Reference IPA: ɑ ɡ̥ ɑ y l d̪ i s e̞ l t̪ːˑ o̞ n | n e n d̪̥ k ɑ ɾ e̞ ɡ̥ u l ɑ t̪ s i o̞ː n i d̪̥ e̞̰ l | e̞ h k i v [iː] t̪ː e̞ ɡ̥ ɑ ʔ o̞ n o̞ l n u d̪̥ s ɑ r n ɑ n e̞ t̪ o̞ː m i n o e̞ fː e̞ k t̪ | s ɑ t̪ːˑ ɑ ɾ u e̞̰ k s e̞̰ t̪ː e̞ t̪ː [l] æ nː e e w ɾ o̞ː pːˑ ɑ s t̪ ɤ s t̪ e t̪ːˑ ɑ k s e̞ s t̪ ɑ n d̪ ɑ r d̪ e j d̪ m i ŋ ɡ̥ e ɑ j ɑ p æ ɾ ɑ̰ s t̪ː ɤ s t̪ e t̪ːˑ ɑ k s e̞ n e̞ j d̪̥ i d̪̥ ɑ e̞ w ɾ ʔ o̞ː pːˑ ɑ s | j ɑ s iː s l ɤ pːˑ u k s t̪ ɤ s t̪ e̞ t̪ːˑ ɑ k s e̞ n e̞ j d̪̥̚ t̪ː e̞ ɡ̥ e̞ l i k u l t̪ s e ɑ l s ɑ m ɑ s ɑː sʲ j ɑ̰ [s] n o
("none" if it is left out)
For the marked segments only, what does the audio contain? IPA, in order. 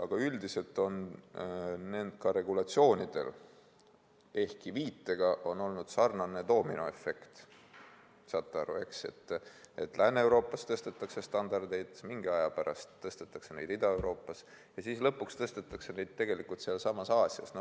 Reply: iː, l, s

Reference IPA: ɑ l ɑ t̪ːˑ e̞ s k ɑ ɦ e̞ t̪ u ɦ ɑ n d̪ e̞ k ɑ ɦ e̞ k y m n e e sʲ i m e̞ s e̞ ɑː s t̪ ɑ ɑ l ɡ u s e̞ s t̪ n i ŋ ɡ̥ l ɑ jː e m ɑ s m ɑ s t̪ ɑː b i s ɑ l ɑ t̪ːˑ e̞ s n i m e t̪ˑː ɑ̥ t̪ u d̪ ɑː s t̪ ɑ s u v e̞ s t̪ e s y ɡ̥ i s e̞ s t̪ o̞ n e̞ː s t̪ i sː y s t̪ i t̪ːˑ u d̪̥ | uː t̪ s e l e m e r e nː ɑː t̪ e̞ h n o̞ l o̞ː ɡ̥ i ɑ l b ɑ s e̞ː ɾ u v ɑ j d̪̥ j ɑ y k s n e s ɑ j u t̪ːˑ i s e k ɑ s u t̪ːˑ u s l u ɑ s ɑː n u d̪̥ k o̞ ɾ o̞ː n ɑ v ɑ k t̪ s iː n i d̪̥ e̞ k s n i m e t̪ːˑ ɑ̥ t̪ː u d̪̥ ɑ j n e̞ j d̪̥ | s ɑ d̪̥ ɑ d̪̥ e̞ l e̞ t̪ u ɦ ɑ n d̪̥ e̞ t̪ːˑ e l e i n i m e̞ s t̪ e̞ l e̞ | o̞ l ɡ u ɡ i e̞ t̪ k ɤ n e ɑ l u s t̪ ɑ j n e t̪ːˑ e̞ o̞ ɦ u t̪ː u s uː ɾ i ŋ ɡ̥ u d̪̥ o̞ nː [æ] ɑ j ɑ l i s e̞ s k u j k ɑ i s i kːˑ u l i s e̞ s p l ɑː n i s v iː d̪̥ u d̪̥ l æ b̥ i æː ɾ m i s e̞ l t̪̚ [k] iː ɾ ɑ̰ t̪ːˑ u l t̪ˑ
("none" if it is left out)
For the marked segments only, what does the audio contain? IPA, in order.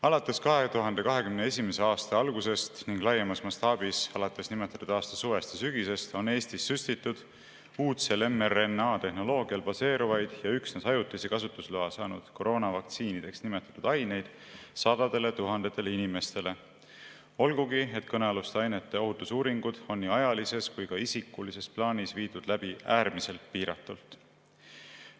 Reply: i, p

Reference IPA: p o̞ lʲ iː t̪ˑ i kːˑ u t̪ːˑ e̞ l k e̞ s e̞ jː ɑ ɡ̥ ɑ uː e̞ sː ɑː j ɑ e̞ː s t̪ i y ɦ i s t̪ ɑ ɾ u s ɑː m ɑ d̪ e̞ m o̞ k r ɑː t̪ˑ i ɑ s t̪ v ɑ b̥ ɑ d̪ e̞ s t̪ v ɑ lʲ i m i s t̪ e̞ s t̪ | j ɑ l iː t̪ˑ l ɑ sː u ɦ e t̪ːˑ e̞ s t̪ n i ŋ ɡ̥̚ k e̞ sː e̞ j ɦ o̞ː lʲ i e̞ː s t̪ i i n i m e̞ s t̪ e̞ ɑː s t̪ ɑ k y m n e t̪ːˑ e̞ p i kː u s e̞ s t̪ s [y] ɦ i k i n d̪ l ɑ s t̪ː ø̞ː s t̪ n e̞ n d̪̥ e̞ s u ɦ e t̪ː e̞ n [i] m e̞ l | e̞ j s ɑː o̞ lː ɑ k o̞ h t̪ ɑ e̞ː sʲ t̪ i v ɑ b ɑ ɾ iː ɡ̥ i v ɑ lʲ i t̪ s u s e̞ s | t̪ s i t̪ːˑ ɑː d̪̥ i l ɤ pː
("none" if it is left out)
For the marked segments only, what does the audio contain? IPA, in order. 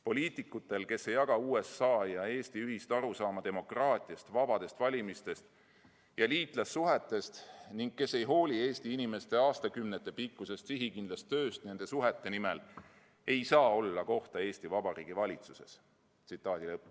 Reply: i, i

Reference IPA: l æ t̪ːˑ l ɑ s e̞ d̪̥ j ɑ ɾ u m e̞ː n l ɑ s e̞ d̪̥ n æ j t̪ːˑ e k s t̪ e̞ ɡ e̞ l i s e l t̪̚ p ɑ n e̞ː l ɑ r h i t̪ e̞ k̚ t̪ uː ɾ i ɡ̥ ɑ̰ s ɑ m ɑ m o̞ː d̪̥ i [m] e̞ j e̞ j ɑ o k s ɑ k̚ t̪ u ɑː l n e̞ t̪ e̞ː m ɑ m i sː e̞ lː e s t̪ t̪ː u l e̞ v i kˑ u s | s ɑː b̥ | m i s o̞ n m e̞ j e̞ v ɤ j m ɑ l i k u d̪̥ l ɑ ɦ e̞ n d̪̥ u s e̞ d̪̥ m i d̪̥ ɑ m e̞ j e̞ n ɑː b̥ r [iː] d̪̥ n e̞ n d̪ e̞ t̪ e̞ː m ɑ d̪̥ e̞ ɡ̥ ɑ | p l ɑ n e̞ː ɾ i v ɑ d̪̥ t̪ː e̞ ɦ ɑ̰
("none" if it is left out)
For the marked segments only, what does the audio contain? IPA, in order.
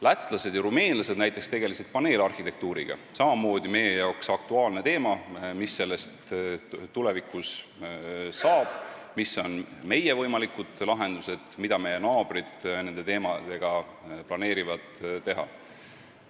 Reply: m, i

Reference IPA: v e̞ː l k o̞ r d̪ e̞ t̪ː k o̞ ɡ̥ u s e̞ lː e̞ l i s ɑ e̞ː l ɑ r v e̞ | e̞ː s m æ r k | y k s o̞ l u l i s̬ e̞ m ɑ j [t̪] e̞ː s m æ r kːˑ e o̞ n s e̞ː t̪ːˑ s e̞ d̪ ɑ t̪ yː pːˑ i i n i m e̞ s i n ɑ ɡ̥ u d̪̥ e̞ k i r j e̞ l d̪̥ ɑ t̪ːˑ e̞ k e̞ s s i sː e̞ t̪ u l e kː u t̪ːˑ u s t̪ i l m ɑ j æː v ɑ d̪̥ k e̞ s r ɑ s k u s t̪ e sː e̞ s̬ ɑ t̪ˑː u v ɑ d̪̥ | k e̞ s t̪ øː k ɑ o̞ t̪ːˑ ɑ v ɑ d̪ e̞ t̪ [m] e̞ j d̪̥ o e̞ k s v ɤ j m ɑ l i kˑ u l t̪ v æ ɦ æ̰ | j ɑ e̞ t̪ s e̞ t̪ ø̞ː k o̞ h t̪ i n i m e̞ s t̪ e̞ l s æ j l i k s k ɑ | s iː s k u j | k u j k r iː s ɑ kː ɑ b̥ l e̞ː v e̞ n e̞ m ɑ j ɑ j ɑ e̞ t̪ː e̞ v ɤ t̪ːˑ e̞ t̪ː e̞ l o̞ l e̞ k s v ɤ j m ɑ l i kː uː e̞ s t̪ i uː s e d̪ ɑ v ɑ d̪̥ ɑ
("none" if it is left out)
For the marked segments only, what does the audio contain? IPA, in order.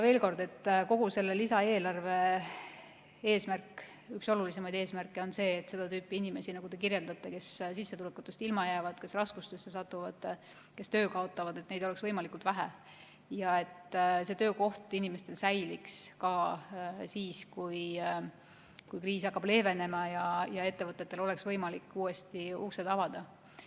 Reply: d̪, n

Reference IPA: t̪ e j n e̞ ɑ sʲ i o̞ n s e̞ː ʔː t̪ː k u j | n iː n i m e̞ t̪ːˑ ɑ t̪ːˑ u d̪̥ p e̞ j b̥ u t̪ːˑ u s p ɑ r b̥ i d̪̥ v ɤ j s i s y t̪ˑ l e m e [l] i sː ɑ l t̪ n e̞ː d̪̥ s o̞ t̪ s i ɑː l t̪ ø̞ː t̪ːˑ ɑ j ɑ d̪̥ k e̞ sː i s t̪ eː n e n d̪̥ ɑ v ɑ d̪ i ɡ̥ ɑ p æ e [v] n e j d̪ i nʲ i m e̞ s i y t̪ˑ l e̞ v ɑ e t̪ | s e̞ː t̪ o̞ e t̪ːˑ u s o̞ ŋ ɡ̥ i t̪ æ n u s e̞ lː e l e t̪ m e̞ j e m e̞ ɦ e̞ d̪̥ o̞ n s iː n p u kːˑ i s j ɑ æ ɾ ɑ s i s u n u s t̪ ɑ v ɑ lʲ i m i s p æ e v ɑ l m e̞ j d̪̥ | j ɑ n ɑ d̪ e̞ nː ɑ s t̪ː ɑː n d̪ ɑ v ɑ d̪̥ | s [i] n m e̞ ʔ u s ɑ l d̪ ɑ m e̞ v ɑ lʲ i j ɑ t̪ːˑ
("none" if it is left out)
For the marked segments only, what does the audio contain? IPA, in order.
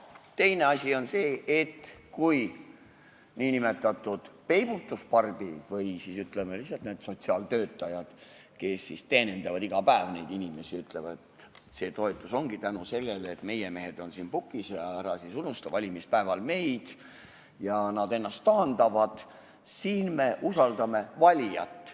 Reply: l, v, iː

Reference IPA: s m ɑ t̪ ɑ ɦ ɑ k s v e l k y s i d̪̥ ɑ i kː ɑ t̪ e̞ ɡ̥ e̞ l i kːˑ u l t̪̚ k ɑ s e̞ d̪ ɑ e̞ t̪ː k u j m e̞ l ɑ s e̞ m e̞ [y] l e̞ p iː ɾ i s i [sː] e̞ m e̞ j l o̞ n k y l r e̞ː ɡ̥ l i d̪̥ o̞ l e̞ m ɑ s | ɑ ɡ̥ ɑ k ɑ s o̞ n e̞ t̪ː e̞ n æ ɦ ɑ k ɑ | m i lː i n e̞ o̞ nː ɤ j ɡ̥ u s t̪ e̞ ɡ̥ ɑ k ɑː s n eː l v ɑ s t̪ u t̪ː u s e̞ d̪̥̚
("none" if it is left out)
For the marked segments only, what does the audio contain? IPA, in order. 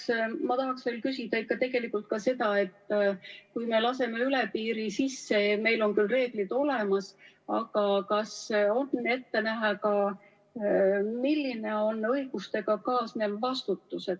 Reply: y, sː

